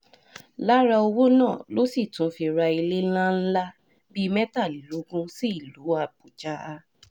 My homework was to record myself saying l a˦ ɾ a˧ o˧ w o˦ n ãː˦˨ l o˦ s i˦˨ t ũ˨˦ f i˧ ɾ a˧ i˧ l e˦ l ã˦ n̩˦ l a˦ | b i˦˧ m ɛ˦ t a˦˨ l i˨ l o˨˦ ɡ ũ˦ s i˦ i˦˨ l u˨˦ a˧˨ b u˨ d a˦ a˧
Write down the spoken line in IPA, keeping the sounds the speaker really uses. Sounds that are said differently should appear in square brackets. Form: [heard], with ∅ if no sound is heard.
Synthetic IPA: l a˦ ɾ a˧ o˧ w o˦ n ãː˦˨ l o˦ s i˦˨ t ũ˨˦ f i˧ ɾ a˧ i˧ l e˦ l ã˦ n̩˦ l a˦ | b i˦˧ m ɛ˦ t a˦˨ l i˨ l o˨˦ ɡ ũ˦ s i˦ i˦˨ l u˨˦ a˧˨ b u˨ [d͡ʒ] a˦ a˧

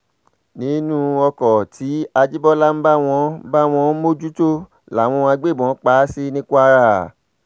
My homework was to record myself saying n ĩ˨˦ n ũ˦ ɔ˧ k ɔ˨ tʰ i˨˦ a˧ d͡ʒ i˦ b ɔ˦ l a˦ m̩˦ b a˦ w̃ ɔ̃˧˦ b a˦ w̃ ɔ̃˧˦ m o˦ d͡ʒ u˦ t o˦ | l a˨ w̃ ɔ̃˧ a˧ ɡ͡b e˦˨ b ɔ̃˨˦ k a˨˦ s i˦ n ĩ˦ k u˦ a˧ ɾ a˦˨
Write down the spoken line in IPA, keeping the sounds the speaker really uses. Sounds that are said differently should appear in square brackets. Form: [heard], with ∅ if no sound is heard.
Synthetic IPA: n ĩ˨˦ n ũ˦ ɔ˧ k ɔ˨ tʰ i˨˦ a˧ d͡ʒ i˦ b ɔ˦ l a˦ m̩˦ b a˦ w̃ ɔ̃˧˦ b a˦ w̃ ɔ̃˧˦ m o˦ d͡ʒ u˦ t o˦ | l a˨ w̃ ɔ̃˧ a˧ ɡ͡b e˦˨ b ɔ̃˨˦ [k͡p] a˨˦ s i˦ n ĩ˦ k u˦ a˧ ɾ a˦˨

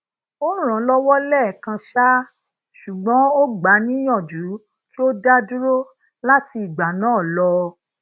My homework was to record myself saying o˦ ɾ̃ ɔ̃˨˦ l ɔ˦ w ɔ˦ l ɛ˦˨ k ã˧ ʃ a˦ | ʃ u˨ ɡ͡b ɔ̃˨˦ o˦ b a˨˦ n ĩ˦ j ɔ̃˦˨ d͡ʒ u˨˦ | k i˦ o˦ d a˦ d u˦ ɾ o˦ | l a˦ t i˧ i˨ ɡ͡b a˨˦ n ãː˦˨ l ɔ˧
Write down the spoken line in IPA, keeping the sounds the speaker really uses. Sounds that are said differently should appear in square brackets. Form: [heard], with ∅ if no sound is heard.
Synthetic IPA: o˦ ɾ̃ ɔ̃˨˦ l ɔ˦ w ɔ˦ l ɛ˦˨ k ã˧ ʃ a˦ | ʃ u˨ ɡ͡b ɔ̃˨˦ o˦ [ɡ͡b] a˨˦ n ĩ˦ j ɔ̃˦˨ d͡ʒ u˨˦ | k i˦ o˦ d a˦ d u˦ ɾ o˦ | l a˦ t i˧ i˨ ɡ͡b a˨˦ n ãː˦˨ l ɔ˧

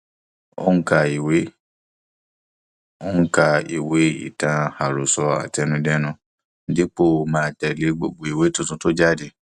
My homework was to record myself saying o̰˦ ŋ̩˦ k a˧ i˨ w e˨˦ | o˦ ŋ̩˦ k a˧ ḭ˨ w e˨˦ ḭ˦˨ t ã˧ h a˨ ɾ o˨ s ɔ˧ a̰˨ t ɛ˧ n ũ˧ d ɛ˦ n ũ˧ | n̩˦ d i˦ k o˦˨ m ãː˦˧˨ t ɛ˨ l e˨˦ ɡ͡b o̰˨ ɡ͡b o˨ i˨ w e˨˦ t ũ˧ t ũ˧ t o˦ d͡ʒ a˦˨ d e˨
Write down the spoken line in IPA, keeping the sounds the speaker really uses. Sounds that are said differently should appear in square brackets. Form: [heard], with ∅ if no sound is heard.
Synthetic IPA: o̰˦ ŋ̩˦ k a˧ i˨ w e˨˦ | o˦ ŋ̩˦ k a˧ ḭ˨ w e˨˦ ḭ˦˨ t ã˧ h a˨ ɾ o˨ s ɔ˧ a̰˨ t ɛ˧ n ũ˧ d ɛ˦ n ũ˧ | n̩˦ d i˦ [k͡p] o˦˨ m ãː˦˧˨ t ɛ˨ l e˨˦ ɡ͡b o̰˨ ɡ͡b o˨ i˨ w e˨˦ t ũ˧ t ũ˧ t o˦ d͡ʒ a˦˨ d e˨

